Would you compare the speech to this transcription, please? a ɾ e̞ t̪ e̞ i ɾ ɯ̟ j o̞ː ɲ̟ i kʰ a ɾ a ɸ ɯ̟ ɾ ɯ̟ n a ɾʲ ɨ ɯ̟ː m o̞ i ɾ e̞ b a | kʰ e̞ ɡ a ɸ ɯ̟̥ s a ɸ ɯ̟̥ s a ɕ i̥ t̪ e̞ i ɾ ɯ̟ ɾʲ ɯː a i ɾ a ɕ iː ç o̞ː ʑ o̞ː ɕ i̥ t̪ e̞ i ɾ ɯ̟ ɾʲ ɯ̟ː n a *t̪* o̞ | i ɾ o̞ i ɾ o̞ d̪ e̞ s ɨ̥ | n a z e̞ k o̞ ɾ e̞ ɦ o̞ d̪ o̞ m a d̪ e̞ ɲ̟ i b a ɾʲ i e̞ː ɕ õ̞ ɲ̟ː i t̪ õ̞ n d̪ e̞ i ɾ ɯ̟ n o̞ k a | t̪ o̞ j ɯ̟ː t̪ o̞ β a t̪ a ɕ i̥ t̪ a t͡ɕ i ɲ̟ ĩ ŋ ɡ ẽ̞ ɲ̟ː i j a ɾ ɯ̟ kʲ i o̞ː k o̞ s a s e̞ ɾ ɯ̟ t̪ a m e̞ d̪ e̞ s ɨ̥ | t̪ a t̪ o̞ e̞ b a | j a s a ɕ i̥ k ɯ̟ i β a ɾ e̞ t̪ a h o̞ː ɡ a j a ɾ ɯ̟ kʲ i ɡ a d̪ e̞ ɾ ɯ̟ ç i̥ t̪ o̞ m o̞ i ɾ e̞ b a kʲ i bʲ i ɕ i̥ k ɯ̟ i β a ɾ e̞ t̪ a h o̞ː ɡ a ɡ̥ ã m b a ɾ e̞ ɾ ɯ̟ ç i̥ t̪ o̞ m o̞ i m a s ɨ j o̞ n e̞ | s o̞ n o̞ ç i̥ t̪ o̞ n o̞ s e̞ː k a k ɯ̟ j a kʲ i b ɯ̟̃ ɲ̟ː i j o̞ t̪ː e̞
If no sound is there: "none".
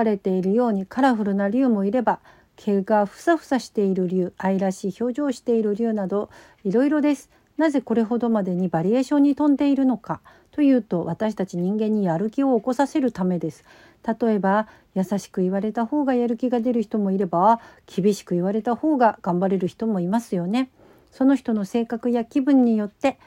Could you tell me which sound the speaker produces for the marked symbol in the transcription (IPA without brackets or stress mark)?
d̪